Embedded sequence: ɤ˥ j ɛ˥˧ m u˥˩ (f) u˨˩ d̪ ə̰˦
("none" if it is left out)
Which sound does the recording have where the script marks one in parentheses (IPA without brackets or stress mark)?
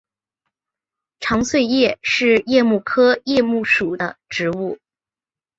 ʂ